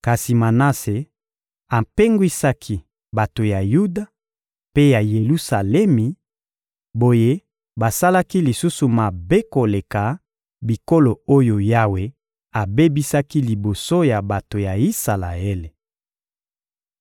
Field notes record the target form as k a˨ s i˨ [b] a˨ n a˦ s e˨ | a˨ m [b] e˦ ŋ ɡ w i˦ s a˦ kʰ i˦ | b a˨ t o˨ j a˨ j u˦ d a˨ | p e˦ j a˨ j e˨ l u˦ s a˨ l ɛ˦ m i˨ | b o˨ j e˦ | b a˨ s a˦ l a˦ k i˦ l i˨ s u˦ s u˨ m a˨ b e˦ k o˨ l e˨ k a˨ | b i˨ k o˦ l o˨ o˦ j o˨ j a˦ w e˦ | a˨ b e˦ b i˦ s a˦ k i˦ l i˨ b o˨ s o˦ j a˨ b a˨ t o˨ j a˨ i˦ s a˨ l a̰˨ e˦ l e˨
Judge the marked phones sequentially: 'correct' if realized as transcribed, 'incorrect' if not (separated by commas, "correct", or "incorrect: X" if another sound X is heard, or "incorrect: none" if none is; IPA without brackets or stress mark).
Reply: incorrect: m, incorrect: p